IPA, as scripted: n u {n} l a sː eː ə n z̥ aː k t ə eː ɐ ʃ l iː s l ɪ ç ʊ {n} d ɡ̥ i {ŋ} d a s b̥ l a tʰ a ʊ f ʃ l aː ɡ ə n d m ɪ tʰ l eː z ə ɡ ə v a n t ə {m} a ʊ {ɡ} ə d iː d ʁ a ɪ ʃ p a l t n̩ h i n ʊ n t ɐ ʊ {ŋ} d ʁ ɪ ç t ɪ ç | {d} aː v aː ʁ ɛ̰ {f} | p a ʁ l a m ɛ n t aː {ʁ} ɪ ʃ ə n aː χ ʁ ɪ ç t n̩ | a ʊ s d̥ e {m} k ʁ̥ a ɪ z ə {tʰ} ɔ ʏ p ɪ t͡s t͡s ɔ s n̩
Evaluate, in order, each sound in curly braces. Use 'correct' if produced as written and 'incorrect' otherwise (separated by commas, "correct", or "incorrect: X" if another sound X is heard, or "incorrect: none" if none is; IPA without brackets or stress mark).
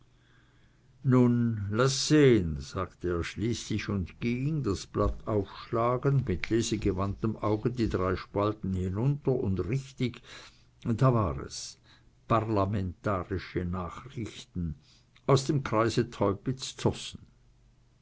correct, correct, correct, correct, correct, incorrect: n, correct, incorrect: s, correct, correct, correct